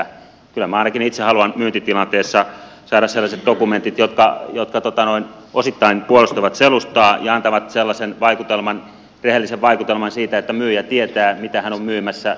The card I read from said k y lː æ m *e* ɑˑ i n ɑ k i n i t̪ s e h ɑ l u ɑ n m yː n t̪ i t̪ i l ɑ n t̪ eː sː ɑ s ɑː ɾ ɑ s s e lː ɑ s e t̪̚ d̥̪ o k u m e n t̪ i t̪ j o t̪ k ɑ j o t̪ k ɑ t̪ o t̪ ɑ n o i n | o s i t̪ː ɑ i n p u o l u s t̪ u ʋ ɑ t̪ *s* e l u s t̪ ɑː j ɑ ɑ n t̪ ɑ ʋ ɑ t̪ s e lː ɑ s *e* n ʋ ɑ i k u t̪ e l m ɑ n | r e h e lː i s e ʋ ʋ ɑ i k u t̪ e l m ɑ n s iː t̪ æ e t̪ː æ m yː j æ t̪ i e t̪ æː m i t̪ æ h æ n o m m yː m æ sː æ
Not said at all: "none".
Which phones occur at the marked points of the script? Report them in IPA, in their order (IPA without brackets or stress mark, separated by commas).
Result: æ, s, e